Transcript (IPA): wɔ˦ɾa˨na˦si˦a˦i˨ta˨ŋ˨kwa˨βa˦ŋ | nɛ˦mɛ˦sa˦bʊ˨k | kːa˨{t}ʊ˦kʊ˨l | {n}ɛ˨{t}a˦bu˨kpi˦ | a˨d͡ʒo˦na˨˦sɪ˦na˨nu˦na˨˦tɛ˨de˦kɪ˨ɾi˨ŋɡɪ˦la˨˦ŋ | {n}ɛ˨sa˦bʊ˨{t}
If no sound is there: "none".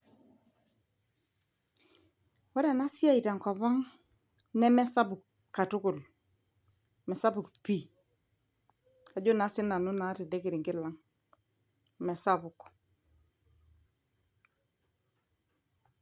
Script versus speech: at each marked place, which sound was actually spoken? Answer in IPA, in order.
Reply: t, m, s, m, k

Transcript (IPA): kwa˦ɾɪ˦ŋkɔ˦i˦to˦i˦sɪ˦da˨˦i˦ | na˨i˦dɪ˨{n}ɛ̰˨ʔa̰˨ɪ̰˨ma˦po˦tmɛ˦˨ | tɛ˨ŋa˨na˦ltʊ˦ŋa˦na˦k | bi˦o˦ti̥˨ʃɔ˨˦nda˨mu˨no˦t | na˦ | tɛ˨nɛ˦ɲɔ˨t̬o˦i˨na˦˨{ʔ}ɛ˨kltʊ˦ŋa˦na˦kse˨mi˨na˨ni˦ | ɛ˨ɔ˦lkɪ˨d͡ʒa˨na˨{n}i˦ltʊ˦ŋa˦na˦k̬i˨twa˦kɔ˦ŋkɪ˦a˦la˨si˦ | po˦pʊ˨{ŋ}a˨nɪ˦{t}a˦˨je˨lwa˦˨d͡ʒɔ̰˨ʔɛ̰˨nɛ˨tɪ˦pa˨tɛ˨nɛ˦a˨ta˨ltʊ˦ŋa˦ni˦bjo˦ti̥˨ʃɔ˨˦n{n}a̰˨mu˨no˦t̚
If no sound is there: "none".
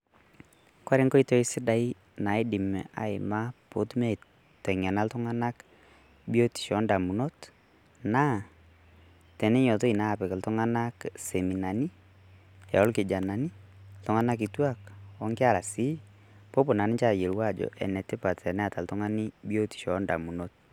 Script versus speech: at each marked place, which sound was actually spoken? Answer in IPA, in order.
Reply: m, p, n, n, t͡ʃ, d

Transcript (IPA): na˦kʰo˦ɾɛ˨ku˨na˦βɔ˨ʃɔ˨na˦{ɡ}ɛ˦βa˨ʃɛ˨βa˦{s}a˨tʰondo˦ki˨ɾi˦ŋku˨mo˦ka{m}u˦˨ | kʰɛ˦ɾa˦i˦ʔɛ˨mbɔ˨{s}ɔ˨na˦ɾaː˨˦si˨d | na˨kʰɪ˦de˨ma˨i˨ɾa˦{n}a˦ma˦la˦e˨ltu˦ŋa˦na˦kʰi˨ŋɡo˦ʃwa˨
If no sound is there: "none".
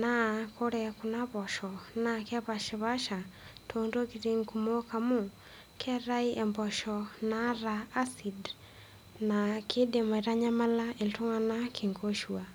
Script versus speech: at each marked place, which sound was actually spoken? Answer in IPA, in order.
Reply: k, ʃ, m, ʃ, ɲ

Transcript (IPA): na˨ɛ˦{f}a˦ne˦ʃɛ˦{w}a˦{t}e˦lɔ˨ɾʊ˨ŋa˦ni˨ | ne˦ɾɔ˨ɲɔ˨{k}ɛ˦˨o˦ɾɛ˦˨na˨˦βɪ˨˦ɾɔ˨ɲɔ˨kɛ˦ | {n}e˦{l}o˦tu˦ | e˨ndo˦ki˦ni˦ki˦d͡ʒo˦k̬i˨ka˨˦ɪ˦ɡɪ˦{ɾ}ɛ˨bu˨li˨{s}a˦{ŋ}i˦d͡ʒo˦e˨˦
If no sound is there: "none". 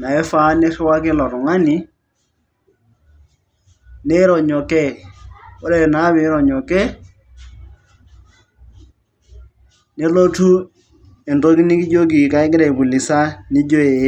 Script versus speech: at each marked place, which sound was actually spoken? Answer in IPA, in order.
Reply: f, w, k, k, n, l, ɾ, s, n

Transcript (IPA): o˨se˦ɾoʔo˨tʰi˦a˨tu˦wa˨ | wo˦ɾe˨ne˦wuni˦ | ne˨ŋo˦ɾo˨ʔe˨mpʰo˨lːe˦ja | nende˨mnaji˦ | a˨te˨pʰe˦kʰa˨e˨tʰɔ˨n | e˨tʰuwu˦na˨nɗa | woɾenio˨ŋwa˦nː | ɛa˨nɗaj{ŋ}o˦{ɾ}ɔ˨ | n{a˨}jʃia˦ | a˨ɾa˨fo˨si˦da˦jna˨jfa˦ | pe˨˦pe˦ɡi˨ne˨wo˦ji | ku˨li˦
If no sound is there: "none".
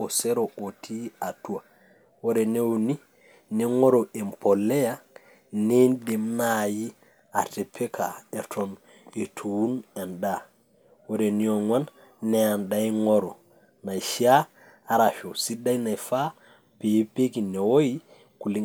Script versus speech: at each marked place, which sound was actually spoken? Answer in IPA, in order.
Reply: ŋ, ɾ, a˨

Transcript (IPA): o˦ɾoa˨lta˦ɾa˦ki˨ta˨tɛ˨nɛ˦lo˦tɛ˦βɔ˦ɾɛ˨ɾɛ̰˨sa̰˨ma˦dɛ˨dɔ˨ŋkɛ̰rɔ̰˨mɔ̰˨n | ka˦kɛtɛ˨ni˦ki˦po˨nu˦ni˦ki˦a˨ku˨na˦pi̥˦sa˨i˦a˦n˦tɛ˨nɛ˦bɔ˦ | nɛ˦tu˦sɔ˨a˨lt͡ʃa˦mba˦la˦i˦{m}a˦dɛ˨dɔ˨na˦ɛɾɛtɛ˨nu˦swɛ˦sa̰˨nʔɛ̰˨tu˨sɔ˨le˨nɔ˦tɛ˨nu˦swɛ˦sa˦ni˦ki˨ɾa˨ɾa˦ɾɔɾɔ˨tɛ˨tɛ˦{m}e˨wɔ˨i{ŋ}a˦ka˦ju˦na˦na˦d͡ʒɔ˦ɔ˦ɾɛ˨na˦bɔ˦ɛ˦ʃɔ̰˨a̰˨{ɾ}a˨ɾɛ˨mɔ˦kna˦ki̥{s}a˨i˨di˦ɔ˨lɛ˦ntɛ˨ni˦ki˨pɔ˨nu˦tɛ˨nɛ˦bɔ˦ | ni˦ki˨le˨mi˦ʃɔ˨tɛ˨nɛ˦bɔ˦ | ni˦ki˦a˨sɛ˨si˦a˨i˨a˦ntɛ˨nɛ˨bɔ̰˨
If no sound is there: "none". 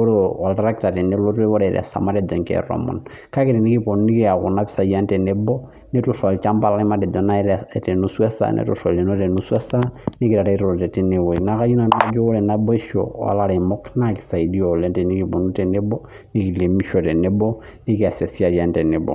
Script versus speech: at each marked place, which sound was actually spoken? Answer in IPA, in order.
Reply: m, n, n, l, s

